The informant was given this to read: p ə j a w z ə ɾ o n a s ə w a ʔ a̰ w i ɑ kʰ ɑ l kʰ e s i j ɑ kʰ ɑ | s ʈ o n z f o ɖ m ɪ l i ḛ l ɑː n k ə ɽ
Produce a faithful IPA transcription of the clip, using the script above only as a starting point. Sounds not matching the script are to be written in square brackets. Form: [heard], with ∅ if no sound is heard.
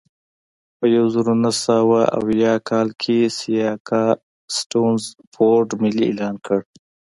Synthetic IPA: p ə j a w z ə ɾ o n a s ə w a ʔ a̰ w [j] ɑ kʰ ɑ l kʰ e s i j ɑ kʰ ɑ | s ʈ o n z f o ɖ m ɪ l i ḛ l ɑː n k ə ɽ